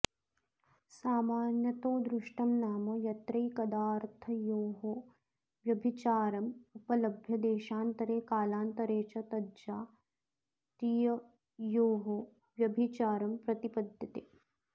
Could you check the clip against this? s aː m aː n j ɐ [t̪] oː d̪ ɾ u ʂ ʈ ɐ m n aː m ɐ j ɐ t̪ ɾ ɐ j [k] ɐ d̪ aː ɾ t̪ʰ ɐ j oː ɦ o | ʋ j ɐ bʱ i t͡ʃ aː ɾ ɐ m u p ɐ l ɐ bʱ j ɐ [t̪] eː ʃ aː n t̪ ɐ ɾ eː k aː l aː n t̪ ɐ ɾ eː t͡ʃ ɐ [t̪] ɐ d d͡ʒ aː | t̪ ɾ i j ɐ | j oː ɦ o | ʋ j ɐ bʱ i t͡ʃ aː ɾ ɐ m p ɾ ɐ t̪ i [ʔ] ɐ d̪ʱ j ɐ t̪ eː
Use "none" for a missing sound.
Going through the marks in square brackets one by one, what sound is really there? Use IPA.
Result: t̪, k, d̪, t̪, p

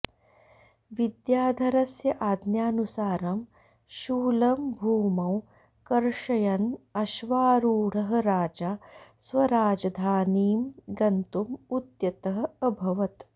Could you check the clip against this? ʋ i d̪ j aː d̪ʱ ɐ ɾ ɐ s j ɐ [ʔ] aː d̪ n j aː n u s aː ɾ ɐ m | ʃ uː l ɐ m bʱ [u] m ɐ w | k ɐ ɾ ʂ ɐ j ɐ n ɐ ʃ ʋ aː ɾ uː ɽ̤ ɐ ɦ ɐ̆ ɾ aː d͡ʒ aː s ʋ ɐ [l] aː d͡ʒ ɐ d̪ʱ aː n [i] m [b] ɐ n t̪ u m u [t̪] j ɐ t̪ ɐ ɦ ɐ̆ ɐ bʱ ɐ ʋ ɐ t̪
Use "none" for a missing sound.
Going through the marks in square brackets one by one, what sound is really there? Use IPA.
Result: ʔ, uː, ɾ, iː, ɡ, t̪

